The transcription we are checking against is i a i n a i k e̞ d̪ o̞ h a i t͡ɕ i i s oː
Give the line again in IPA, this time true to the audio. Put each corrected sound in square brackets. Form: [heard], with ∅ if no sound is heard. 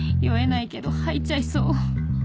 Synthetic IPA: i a [e] n a i k e̞ d̪ o̞ h a i t͡ɕ [a] i s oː